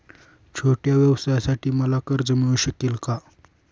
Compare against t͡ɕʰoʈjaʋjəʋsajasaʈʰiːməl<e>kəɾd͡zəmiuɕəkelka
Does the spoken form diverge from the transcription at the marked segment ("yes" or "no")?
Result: yes